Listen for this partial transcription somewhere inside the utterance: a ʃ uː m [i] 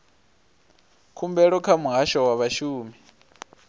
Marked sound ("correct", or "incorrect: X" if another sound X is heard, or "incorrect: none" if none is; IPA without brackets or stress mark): correct